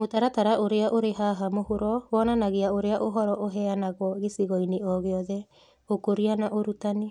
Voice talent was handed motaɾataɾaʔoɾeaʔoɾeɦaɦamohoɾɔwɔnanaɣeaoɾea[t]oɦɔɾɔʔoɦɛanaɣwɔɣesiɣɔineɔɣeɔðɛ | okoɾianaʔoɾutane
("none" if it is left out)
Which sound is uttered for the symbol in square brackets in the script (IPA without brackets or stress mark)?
ʔ